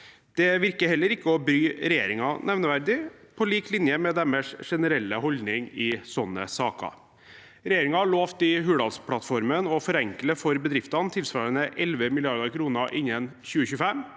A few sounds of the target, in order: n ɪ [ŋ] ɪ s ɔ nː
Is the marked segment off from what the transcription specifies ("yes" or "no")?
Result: no